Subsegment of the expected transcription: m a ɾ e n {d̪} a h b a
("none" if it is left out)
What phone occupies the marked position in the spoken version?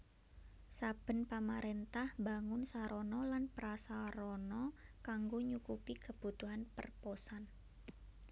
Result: t̪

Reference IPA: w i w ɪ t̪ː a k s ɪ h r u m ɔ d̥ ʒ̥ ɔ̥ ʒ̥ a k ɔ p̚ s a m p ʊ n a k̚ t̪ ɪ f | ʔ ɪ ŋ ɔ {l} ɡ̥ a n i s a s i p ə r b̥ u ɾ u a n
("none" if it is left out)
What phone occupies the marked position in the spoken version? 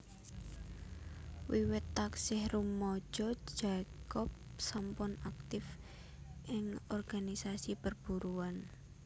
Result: r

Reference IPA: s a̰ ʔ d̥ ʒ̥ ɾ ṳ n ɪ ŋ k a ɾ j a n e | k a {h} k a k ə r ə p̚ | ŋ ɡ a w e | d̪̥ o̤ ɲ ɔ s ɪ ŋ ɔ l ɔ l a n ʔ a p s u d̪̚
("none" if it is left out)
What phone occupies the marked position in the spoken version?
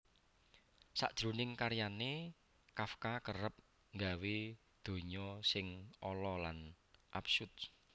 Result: f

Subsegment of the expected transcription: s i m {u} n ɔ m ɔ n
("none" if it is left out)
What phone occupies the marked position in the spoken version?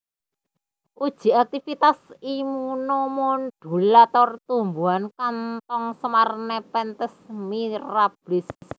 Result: u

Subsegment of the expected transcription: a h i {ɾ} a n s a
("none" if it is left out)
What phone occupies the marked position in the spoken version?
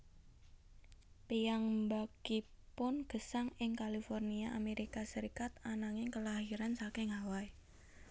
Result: ɾ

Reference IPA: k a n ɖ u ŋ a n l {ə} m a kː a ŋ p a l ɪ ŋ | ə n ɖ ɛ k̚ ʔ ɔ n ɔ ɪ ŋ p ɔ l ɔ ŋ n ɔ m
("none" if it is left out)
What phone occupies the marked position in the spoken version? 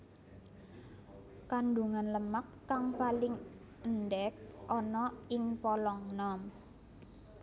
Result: ə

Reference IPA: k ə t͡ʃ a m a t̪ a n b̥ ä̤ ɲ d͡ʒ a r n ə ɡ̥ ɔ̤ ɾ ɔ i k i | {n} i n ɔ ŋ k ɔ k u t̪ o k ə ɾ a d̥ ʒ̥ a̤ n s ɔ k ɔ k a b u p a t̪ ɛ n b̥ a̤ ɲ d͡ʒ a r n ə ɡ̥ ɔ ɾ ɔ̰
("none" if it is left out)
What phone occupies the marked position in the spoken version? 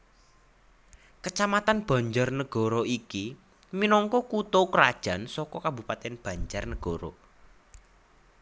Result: m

